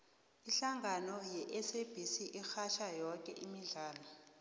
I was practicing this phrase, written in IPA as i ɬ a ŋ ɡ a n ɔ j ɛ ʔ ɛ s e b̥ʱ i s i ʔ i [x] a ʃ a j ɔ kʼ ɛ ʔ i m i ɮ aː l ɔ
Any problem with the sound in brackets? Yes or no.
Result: no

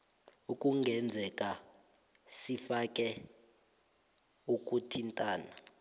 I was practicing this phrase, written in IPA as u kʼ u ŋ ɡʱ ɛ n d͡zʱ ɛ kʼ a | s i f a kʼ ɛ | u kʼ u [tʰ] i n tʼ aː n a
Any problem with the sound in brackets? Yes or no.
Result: no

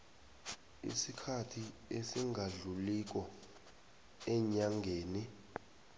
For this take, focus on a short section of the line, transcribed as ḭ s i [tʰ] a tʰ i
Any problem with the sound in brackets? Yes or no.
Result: yes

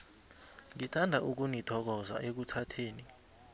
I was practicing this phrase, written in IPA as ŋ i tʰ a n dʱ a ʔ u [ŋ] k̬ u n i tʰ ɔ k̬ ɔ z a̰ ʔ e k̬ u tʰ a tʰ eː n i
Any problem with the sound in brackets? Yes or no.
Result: yes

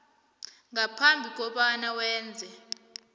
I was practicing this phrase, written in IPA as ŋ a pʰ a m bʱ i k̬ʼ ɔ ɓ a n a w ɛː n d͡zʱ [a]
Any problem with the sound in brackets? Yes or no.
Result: yes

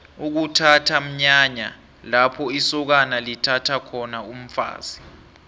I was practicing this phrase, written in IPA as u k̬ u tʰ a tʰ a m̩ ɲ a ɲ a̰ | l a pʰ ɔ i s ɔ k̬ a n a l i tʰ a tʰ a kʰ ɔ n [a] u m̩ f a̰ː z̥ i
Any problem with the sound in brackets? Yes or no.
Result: no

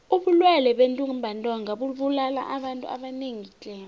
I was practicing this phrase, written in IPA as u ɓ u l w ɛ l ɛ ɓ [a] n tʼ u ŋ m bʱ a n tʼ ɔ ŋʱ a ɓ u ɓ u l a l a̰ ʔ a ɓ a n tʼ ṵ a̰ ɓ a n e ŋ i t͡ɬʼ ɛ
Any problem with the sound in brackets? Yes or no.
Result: yes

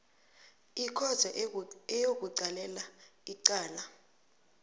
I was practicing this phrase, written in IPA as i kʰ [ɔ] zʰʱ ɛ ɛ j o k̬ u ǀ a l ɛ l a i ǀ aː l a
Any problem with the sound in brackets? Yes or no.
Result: no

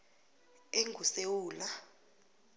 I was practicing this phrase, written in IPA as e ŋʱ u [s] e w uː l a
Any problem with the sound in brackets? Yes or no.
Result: no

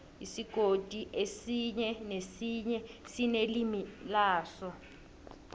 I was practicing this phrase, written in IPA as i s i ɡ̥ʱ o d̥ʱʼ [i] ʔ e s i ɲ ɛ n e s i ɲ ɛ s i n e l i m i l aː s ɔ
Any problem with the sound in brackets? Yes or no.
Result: no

